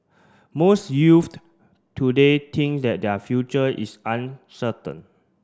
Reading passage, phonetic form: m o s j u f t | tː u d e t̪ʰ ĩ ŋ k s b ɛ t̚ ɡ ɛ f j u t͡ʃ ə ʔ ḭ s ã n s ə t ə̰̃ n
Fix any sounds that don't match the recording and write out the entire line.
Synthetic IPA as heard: m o s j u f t | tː u d e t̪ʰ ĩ ŋ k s d ɛ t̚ d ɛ f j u t͡ʃ ə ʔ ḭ s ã n s ə t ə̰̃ n

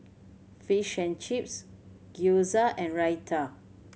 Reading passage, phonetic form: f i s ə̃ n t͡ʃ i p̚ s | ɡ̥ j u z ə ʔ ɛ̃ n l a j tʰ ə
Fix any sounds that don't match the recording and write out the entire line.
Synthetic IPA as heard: f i ʃ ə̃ n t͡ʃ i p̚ s | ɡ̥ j u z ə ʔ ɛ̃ n ɹ a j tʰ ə

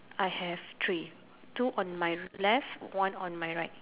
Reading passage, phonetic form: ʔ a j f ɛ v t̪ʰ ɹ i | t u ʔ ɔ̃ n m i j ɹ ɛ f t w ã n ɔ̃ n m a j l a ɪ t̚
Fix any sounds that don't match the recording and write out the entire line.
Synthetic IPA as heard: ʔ a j h ɛ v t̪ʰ ɹ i | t u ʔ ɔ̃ n m a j l ɛ f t w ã n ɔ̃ n m a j ɹ a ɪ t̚

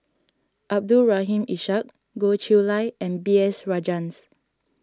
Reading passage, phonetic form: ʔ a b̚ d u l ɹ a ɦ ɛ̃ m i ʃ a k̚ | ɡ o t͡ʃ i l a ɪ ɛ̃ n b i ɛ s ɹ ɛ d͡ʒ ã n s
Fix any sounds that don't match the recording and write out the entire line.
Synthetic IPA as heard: ʔ a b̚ d u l ɹ a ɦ ĩ m i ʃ a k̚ | ɡ o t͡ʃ i l a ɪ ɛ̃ n b i ɛ s ɹ a d͡ʒ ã n s

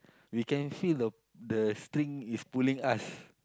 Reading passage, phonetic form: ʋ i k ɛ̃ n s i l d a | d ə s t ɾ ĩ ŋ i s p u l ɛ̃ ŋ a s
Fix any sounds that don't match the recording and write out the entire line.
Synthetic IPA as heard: w i k ɛ̃ n f i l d ə | d ə s t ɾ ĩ ŋ i s p u l ĩ ŋ a s

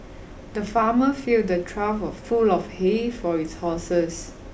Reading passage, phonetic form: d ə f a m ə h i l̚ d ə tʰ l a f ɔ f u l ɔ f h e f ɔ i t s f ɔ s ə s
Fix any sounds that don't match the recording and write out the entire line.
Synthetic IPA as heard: d ə f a m ə f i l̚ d ə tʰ ɹ a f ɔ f u l ɔ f h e f ɔ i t s h ɔ s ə s

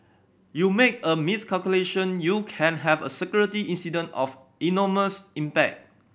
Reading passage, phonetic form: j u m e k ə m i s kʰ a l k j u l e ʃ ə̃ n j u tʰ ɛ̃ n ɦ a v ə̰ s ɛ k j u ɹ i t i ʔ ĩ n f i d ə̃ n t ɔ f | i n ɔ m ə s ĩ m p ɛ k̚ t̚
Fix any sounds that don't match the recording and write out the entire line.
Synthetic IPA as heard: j u m e k ə m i s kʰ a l k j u l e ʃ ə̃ n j u kʰ ɛ̃ n ɦ ɛ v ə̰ s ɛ k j u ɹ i t i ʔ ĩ n s i d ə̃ n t ɔ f | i n ɔ m ə s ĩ m p ɛ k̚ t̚

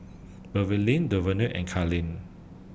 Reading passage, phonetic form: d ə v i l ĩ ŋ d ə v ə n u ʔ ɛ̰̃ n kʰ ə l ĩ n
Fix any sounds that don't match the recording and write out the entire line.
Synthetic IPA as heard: b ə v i l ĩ n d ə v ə n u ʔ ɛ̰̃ n kʰ a l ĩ n

